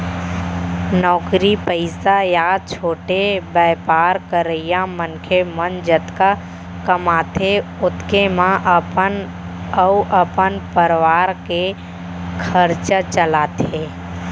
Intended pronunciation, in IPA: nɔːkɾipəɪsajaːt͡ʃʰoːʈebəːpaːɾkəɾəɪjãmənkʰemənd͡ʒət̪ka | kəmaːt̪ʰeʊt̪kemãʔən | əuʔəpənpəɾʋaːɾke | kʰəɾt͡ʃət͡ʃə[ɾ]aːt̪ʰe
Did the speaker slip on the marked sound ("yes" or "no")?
yes